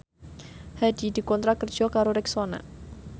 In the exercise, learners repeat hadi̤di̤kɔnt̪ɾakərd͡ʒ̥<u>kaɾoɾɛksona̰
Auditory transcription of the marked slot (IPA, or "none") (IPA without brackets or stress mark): ɔ